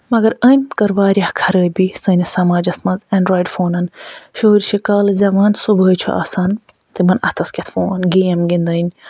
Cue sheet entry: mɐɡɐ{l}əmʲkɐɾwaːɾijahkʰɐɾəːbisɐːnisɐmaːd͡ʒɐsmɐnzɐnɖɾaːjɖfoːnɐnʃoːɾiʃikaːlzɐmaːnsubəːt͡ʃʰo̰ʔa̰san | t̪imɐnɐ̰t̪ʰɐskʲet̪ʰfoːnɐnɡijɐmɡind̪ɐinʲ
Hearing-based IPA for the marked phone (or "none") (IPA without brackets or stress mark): ɾ